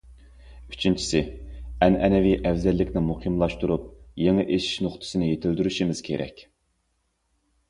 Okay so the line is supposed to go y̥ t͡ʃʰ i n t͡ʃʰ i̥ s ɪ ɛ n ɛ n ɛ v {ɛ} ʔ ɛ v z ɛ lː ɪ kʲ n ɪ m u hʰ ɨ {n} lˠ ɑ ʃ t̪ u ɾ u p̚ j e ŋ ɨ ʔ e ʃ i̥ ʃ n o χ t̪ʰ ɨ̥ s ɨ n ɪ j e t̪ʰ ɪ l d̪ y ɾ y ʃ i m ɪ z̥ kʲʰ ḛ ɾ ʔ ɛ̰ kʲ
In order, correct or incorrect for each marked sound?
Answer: incorrect, incorrect

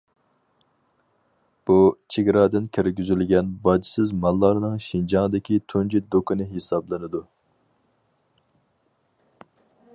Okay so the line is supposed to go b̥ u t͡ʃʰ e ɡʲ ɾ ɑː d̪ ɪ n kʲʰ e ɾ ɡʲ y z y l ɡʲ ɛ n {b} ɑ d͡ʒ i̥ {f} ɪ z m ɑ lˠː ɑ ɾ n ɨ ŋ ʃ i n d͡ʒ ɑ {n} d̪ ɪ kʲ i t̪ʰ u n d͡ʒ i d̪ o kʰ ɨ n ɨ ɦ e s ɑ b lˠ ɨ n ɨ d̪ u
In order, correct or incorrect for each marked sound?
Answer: correct, incorrect, incorrect

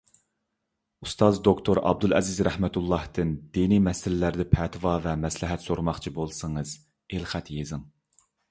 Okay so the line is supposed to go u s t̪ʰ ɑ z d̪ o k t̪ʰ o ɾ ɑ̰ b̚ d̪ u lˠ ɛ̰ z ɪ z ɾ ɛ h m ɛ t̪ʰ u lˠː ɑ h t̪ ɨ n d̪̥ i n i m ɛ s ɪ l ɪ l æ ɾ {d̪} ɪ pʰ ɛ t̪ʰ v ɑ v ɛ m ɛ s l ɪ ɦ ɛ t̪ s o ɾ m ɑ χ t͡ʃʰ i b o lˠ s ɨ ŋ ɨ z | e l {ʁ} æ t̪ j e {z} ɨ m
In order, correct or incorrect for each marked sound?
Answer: correct, incorrect, correct

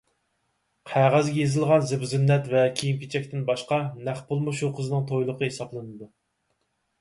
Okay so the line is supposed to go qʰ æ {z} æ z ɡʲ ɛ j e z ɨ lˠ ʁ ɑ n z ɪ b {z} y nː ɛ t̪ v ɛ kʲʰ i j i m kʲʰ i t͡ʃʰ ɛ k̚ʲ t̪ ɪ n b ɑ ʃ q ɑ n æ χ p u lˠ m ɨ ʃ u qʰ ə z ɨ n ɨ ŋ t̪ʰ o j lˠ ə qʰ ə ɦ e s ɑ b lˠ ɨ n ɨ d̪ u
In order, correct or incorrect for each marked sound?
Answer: incorrect, correct

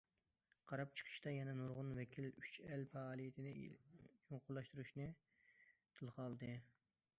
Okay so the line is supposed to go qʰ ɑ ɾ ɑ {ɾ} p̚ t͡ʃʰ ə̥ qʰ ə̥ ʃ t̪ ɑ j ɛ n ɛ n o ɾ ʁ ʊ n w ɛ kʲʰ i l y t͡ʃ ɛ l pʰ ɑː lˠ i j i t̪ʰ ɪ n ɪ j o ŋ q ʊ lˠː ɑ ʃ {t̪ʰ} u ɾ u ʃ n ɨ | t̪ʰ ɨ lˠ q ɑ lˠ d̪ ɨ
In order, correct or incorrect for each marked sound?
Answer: incorrect, incorrect

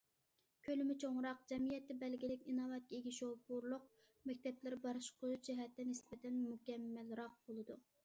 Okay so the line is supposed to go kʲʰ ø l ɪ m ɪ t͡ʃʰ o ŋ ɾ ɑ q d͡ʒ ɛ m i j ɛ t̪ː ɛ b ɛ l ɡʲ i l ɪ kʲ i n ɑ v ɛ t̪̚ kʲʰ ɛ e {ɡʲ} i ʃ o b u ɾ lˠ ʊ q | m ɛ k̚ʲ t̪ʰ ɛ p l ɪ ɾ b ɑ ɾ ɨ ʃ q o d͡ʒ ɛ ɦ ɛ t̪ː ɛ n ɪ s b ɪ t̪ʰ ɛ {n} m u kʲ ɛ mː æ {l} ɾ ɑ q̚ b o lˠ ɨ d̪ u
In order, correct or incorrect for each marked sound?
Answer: correct, correct, correct

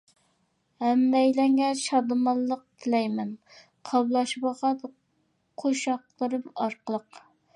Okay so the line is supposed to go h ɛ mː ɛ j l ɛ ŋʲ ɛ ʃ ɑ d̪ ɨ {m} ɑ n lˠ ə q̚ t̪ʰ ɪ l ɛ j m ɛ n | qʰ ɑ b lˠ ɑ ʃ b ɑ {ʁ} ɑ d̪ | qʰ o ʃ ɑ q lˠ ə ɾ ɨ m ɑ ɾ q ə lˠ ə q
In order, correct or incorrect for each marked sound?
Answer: correct, correct

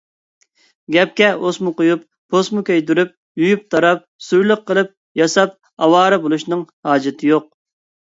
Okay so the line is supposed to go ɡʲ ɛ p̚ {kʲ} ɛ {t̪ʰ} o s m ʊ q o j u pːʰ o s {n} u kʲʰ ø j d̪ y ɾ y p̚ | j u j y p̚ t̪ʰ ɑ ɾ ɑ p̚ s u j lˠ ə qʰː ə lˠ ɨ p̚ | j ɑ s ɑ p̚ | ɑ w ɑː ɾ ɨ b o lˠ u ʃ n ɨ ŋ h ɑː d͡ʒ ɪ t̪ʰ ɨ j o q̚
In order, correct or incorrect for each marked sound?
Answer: correct, incorrect, incorrect

